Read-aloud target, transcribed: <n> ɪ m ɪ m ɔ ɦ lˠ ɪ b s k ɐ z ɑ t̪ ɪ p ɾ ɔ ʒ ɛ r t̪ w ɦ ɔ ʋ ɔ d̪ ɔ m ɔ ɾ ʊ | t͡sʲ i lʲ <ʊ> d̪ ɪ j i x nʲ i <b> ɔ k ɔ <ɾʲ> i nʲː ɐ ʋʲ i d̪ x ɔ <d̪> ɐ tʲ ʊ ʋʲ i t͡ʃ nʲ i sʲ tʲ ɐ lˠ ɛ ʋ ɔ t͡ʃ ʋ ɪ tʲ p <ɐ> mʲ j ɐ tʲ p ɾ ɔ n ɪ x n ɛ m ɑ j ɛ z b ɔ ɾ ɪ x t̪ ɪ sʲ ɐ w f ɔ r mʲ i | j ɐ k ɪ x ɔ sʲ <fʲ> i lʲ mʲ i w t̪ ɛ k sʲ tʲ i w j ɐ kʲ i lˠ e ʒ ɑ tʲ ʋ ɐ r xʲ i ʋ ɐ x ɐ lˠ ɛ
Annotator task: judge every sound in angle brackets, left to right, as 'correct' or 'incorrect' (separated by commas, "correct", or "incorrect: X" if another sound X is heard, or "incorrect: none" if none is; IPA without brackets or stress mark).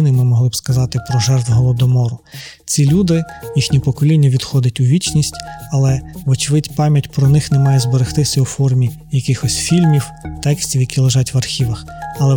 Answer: correct, incorrect: u, incorrect: p, incorrect: lʲ, correct, incorrect: ɑ, correct